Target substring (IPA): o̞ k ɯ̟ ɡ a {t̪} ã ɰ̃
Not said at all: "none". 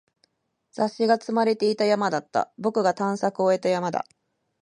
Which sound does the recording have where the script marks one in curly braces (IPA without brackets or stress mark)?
t̪